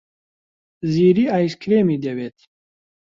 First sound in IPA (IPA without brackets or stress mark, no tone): z